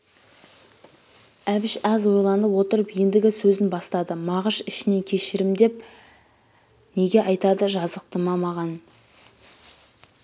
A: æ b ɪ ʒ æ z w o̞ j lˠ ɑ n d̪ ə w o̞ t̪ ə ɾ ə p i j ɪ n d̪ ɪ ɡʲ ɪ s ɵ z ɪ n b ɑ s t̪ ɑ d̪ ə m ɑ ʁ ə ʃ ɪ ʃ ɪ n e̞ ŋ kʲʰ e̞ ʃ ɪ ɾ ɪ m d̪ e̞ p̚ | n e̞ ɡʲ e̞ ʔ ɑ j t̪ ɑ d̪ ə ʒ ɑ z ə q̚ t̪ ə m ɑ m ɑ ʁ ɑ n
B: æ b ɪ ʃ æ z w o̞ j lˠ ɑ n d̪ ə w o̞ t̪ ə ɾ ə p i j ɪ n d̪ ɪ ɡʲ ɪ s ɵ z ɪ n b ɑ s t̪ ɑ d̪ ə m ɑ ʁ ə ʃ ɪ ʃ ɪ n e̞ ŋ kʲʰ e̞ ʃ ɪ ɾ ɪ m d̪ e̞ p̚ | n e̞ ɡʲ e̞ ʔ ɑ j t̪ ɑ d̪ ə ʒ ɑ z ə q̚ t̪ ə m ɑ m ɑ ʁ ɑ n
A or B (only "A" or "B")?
B